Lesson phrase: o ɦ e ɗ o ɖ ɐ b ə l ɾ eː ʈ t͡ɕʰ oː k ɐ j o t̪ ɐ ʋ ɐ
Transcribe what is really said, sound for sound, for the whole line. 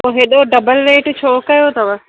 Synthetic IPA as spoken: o ɦ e ɗ o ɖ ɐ b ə l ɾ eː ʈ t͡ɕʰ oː k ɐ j o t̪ ɐ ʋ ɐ

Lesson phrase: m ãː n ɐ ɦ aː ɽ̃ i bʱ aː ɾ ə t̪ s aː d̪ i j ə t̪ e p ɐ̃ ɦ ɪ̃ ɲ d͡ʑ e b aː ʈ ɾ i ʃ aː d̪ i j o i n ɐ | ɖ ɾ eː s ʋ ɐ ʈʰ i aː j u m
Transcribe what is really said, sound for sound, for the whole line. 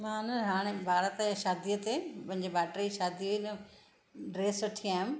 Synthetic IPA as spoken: m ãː n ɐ ɦ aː ɽ̃ e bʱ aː ɾ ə t̪ ʃ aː d̪ i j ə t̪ e p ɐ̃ ɦ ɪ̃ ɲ d͡ʑ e b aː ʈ ɾ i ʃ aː d̪ i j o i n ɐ | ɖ ɾ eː s ʋ ɐ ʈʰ i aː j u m

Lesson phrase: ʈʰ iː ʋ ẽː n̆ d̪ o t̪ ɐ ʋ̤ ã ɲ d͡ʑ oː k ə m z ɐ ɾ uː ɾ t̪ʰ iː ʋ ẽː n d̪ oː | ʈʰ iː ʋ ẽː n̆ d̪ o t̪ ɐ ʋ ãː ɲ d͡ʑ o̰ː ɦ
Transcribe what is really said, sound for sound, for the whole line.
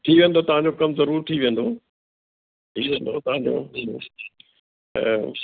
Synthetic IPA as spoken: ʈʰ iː ʋ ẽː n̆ d̪ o t̪ ɐ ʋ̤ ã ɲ d͡ʑ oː k ɐ m z ɐ ɾ uː ɾ t̪ʰ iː ʋ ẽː n d̪ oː | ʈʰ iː ʋ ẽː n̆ d̪ o t̪ ɐ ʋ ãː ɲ d͡ʑ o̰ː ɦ

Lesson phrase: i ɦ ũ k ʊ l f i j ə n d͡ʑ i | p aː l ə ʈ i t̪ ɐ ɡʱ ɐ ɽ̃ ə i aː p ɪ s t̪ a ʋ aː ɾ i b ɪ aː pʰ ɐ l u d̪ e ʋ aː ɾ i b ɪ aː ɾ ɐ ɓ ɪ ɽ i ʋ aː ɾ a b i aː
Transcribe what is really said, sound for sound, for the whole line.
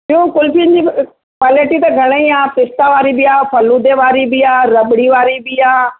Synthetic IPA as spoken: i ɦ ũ k ʊ l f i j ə n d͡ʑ i | p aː l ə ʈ i t̪ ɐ ɡʱ ɐ ɽ̃ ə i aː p ɪ s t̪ a ʋ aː ɾ i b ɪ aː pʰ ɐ l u d̪ e ʋ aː ɾ i b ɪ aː ɾ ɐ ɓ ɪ ɽ i ʋ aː ɾ i b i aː

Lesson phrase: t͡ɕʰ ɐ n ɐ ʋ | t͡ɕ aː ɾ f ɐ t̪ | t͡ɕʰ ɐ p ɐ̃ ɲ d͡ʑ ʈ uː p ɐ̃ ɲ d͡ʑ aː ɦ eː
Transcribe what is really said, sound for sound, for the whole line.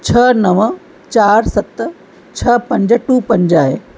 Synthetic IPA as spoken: t͡ɕʰ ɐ n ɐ ʋ | t͡ɕ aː ɾ s ɐ t̪ | t͡ɕʰ ɐ p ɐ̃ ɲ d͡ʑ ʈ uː p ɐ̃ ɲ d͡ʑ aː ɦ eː

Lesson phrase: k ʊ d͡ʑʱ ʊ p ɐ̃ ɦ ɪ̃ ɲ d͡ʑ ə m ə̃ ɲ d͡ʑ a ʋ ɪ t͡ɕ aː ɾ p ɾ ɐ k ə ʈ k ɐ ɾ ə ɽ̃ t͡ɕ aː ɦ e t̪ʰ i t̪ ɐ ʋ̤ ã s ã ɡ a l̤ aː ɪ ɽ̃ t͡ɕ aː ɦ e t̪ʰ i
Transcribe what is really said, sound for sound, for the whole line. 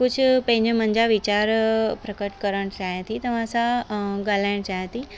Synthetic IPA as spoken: k ʊ d͡ʑʱ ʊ p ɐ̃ ɦ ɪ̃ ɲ d͡ʑ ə m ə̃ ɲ d͡ʑ a ʋ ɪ t͡ɕ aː ɾ p ɾ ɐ k ə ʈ k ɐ ɾ ə ɽ̃ t͡ɕ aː ɦ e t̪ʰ i t̪ ɐ ʋ̤ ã s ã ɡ a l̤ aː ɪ ɽ̃ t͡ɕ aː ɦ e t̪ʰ i

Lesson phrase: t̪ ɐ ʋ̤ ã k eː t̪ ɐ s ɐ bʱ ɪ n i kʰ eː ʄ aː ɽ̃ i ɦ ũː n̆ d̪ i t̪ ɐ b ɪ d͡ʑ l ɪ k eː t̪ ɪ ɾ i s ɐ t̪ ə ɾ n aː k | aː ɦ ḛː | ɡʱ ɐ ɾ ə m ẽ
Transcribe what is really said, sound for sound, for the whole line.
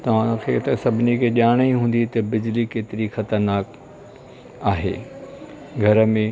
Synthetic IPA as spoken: t̪ ɐ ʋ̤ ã kʰ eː t̪ ɐ s ɐ bʱ ɪ n i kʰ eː ʄ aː ɽ̃ i ɦ ũː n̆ d̪ i t̪ ɐ b ɪ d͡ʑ l i k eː t̪ ɪ ɾ i x ɐ t̪ ə ɾ n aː k | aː ɦ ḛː | ɡʱ ɐ ɾ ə m ẽ

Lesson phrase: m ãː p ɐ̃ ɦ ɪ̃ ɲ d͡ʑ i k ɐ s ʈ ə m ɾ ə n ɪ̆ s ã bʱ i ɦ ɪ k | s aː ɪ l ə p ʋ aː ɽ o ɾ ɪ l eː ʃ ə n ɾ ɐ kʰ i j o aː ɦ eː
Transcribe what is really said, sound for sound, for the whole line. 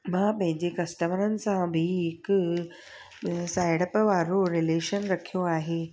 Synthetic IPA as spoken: m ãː p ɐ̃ ɦ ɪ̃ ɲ d͡ʑ e k ɐ s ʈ ə m ɾ ə n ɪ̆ s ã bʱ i ɦ ɪ k | s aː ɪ ɽ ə p ʋ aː ɾ o ɾ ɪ l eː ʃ ə n ɾ ɐ kʰ i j o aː ɦ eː

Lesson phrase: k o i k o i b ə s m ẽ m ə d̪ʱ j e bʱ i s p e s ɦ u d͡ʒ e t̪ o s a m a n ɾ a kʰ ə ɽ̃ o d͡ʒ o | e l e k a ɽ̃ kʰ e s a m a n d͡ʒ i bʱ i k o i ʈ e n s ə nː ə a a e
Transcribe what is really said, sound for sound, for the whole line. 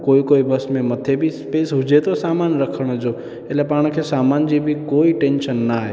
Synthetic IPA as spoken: k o i k o i b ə s m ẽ m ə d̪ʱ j e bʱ i s p e s ɦ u d͡ʒ e t̪ o s a m a n ɾ ə kʰ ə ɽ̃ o d͡ʒ o | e l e p a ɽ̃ kʰ e s a m a n d͡ʒ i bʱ i k o i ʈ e n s ə nː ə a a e

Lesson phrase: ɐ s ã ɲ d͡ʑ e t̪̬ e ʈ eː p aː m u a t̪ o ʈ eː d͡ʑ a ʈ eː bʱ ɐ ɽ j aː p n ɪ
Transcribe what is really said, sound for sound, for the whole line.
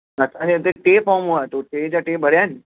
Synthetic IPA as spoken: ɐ s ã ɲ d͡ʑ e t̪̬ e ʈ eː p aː m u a t̪ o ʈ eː d͡ʑ a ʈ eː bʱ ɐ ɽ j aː n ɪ

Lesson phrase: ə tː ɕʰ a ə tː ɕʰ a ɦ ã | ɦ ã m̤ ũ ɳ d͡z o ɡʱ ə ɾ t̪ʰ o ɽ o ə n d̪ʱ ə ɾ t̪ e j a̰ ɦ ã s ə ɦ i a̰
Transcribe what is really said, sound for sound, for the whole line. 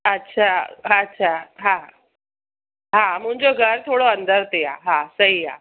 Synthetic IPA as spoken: ə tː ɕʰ a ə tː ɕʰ a ɦ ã | ɦ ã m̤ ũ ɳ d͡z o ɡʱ ə ɾ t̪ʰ o ɽ o ə n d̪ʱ ə ɾ t̪ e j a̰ ɦ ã s ə ɦ i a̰

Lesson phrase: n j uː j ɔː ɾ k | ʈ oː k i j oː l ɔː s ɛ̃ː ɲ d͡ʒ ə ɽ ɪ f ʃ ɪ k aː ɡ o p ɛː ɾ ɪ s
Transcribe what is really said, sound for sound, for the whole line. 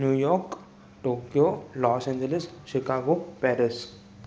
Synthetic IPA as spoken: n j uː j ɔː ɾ k | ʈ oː k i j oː l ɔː s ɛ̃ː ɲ d͡ʒ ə l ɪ s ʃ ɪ k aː ɡ o p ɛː ɾ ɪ s

